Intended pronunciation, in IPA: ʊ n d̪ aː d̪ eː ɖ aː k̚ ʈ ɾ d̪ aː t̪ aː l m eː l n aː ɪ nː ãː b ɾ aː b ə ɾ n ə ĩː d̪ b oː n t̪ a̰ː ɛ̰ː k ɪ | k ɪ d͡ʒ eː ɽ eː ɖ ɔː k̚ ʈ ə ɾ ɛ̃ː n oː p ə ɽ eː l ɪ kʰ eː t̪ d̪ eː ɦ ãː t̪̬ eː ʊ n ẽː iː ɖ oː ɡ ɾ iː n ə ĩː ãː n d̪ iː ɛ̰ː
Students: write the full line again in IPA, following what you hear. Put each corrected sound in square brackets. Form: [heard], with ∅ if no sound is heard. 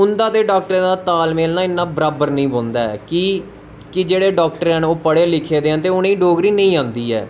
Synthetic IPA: ʊ n d̪ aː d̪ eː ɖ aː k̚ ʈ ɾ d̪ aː t̪ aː l m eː l n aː ɪ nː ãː b ɾ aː b ə ɾ n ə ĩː [∅] b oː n [d̪] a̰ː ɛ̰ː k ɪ | k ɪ d͡ʒ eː ɽ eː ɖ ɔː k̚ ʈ ə ɾ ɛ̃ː n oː p ə ɽ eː l ɪ kʰ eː [∅] d̪ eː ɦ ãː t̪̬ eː ʊ n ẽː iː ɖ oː ɡ ɾ iː n ə ĩː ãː n d̪ iː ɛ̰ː